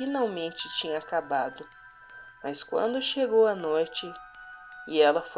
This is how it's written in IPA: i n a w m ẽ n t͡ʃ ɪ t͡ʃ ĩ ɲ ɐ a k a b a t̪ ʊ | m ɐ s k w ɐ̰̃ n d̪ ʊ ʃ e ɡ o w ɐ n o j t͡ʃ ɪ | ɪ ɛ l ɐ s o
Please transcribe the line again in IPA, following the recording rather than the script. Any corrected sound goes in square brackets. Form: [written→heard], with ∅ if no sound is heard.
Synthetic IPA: i n a w m ẽ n t͡ʃ ɪ t͡ʃ ĩ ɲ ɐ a k a b a [t̪→d̪] ʊ | m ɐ s k w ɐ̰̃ n d̪ ʊ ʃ e ɡ o w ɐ n o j t͡ʃ ɪ | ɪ ɛ l ɐ [s→f] o